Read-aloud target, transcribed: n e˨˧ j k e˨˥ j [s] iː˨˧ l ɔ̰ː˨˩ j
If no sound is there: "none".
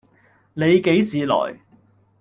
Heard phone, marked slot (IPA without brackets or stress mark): s